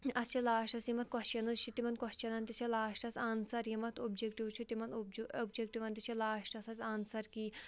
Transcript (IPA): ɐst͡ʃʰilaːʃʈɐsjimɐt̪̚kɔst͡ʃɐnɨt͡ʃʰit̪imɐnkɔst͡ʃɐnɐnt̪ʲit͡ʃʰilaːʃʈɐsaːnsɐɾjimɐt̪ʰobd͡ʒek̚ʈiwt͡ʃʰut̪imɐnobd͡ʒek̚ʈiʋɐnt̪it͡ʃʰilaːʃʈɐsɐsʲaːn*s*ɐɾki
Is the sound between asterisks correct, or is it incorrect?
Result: correct